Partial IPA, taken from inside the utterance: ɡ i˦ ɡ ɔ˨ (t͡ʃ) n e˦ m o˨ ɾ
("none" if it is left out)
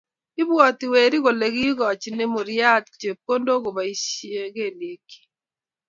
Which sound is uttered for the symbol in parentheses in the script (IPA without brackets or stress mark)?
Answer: t͡ʃ